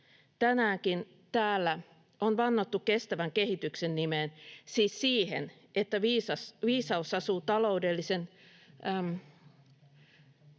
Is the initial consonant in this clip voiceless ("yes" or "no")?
yes